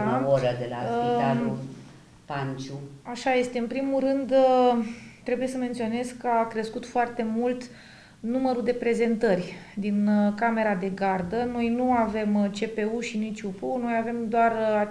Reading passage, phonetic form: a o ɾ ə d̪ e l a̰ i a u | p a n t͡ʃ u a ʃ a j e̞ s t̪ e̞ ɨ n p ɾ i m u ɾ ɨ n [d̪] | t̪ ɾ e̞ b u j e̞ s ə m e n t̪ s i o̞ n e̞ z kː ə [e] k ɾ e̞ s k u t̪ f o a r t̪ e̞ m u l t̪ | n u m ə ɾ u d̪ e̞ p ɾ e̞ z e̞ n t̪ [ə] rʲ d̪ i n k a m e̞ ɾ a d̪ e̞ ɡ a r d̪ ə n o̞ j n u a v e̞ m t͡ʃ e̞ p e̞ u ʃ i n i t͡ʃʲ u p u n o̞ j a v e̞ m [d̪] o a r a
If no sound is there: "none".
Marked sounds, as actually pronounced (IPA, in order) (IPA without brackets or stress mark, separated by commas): d̪, a, ə, d̪